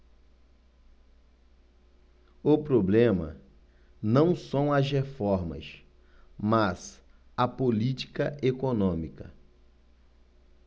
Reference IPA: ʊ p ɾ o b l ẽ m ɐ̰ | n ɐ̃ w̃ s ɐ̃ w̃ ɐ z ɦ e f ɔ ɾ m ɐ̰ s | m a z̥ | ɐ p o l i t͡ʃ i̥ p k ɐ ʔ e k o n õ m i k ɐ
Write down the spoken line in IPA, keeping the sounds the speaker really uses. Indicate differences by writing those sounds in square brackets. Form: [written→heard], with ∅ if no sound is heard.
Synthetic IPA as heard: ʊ p ɾ o b l ẽ m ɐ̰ | n ɐ̃ w̃ s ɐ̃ w̃ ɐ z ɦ e f ɔ ɾ m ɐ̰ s | m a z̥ | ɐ p o l i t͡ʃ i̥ [p→∅] k ɐ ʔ e k o n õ m i k ɐ